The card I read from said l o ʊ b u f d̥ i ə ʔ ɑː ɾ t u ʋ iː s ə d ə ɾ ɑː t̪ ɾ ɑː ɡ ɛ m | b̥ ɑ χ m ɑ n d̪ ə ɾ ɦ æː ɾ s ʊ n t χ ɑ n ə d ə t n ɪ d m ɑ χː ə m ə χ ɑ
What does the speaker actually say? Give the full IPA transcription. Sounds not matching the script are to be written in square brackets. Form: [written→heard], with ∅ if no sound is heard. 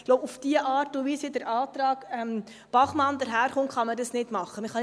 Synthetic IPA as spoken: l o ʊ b u f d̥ i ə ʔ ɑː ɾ t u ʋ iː s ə d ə ɾ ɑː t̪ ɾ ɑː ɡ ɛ m | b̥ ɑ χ m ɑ n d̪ ə ɾ ɦ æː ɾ [s→χ] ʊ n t χ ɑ [n→m] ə d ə [t→s] n ɪ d m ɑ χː ə m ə χ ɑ